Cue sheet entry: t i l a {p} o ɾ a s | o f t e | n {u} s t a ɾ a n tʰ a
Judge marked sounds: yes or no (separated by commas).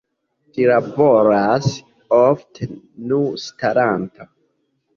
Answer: no, yes